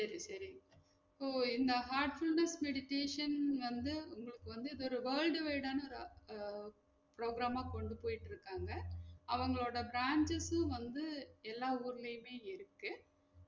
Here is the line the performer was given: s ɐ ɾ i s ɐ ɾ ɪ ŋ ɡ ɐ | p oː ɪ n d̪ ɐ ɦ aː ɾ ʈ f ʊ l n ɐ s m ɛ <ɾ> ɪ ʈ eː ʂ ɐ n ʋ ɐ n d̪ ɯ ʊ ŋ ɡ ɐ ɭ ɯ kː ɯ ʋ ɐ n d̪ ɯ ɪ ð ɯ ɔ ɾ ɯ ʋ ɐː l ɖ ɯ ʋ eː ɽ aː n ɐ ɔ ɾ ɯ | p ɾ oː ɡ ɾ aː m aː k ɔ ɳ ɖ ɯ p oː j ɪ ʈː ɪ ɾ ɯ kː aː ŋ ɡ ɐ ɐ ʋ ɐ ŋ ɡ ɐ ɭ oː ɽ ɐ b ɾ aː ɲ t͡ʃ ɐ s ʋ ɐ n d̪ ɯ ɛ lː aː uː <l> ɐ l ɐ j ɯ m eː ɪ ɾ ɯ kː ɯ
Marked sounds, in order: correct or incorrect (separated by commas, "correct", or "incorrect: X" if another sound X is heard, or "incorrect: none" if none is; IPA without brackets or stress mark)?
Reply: incorrect: ɽ, incorrect: ɾ